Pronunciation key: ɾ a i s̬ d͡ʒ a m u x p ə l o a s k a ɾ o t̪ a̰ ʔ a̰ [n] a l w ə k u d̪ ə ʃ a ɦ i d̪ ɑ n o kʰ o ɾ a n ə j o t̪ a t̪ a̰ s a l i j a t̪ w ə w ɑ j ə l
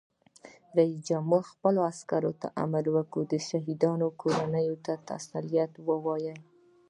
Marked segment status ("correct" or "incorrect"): incorrect